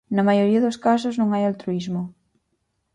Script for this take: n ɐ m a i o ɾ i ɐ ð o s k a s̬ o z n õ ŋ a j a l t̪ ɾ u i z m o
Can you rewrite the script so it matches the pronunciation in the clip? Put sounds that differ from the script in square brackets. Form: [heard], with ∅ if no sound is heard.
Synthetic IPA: n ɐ m a [j] o ɾ i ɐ ð o s k a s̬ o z n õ ŋ a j a l t̪ ɾ u i z m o